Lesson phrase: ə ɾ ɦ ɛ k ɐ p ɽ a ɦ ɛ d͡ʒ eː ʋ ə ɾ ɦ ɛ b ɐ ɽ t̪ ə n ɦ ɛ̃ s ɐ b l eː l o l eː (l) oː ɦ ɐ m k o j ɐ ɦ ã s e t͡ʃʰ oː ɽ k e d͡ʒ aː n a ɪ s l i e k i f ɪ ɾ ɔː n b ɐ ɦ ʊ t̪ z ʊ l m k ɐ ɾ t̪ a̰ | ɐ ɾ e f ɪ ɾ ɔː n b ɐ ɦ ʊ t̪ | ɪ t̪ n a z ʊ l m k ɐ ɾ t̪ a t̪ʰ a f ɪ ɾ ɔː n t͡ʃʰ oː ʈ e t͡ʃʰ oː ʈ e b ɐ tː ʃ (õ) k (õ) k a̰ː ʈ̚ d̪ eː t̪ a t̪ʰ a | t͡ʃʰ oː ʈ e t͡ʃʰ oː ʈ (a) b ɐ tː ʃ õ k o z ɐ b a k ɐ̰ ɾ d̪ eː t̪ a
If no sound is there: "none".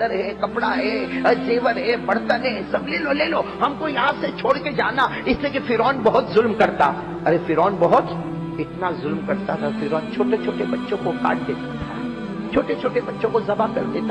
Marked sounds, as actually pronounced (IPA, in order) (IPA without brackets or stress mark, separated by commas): l, õ, o, e